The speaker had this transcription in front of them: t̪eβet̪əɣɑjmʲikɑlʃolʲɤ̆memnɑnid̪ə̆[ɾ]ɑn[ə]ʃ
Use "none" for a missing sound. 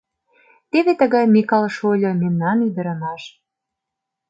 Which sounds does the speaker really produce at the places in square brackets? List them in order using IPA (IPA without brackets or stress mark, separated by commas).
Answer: ɾ, ɑ